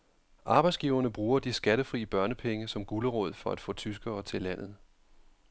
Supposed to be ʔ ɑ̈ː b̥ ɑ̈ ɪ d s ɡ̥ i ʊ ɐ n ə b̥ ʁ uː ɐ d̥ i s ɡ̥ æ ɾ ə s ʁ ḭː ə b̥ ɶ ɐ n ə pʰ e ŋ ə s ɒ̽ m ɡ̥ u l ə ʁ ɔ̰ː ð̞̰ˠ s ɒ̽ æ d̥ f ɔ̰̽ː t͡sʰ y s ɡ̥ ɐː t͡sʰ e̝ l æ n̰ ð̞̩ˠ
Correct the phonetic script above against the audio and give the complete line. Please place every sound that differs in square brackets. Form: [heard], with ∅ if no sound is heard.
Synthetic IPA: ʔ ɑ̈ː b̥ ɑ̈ ɪ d s ɡ̥ i ʊ ɐ n ə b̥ ʁ uː ɐ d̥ i s ɡ̥ æ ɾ ə [f] ʁ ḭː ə b̥ ɶ ɐ n ə pʰ e ŋ ə s ɒ̽ m ɡ̥ u l ə ʁ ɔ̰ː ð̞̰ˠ [f] ɒ̽ æ d̥ f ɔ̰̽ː t͡sʰ y s ɡ̥ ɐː t͡sʰ e̝ l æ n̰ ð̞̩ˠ